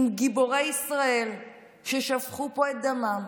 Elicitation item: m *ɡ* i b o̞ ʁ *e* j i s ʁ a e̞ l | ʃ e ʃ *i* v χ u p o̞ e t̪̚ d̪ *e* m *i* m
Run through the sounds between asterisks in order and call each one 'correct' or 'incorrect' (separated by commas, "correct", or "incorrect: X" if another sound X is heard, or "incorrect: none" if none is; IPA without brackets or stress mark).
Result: correct, correct, incorrect: a, incorrect: a, incorrect: a